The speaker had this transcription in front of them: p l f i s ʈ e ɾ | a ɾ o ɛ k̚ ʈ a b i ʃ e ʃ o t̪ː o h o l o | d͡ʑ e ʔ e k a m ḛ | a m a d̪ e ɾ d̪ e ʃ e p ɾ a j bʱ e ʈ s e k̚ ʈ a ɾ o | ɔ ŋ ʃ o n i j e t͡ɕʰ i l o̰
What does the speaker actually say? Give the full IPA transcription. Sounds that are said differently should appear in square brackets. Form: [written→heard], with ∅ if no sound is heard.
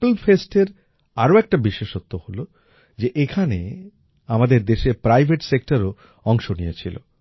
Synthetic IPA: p l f [i→e] s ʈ e ɾ | a ɾ o ɛ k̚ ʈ a b i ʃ e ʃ o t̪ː o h o l o | d͡ʑ e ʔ e [k→kʰ] a [m→n] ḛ | a m a d̪ e ɾ d̪ e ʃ e p ɾ a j bʱ e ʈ s e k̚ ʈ a ɾ o | ɔ ŋ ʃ o n i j e t͡ɕʰ i l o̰